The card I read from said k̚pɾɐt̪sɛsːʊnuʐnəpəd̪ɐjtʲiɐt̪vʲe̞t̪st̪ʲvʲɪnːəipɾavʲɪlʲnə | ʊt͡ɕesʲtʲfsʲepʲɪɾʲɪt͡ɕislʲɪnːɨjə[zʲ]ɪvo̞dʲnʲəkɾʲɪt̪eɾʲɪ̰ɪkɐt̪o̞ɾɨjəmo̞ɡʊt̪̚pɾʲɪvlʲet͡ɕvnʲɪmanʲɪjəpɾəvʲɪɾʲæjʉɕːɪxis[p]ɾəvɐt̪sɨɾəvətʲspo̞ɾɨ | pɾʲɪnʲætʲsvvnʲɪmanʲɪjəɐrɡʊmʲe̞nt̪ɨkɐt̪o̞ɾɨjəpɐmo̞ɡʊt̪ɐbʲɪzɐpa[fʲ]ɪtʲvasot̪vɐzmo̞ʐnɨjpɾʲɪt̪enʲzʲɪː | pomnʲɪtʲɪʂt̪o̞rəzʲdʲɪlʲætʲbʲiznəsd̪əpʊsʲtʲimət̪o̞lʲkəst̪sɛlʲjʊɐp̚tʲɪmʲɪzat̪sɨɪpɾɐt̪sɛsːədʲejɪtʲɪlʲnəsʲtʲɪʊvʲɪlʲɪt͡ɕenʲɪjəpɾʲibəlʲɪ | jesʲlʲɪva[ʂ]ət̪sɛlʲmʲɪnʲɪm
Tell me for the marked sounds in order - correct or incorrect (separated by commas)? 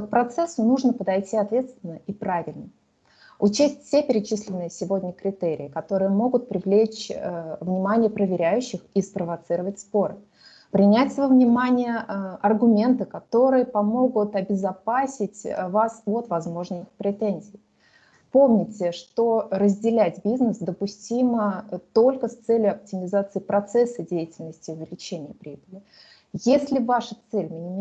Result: incorrect, correct, incorrect, correct